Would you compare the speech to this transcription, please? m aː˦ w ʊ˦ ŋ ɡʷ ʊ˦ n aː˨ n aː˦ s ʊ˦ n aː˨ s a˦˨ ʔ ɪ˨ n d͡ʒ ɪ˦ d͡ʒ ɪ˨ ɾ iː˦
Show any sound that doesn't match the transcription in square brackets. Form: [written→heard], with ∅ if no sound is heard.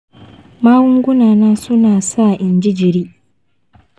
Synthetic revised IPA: m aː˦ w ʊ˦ ŋ ɡʷ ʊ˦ n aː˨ n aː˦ s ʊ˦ n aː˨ s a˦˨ ʔ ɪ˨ n d͡ʒ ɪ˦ d͡ʒ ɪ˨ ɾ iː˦